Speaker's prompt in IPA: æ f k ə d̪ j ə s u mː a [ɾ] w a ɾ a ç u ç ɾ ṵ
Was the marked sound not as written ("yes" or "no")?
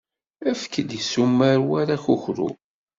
no